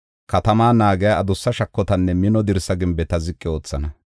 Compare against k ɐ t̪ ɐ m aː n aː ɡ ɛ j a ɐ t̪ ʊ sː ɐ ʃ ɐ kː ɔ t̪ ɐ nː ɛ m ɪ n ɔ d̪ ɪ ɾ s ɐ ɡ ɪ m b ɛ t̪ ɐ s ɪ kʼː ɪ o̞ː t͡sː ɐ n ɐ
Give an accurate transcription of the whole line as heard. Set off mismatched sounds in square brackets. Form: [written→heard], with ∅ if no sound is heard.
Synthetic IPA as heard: k ɐ t̪ ɐ m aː n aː ɡ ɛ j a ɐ [t̪→d̪] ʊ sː ɐ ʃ ɐ kː ɔ t̪ ɐ nː ɛ m ɪ n ɔ d̪ ɪ ɾ s ɐ ɡ ɪ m b ɛ t̪ ɐ [s→z] ɪ kʼː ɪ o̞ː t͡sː ɐ n ɐ